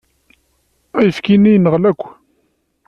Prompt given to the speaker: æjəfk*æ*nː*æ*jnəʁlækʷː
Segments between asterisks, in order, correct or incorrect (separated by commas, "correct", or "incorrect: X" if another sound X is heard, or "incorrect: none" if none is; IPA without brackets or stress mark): incorrect: i, incorrect: i